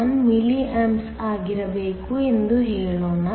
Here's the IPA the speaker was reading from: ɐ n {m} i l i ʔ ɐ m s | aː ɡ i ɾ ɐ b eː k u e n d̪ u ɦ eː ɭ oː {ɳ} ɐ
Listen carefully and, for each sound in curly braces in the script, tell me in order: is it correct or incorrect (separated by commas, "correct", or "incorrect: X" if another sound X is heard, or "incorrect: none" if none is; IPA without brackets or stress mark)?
correct, incorrect: n